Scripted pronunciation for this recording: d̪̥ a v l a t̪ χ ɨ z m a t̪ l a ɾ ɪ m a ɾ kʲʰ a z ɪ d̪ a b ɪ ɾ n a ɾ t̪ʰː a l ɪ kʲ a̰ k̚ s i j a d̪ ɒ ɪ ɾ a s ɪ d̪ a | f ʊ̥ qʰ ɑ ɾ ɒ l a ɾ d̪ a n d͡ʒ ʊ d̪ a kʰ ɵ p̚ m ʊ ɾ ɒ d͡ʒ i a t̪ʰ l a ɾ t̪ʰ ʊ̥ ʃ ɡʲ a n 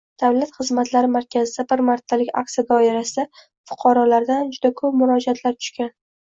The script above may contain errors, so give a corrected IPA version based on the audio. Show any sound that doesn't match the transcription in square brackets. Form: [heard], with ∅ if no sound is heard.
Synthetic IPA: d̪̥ a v l a t̪ χ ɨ z m a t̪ l a ɾ ɪ m a ɾ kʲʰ a z ɪ d̪ a b ɪ ɾ [m] a ɾ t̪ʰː a l ɪ kʲ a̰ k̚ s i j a d̪ ɒ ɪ ɾ a s ɪ d̪ a | f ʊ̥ qʰ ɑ ɾ ɒ l a ɾ d̪ a n d͡ʒ ʊ d̪ a kʰ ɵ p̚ m ʊ ɾ ɒ d͡ʒ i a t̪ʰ l a ɾ t̪ʰ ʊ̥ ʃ [kʲ] a n